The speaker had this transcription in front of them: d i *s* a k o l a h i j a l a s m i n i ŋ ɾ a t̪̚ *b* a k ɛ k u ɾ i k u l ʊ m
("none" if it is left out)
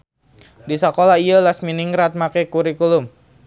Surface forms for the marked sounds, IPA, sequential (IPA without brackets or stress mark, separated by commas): s, m